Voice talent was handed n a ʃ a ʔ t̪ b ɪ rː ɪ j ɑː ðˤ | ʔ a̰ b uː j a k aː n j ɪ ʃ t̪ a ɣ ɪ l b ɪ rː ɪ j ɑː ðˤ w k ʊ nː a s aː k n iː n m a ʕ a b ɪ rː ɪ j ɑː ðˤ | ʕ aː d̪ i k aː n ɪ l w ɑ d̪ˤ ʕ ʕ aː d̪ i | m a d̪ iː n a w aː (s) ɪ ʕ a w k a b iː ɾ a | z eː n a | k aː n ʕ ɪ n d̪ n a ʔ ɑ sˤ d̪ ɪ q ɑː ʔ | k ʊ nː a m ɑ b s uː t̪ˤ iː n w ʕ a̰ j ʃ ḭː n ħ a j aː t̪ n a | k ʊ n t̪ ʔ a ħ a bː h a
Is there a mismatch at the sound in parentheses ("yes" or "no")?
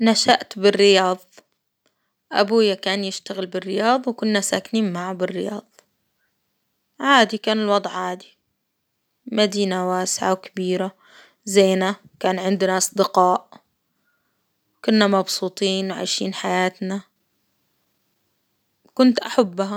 no